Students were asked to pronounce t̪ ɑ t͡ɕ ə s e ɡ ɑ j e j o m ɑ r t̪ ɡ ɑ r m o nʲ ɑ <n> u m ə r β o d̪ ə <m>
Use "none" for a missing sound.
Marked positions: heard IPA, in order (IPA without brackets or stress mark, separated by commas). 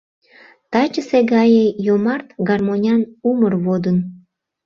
n, n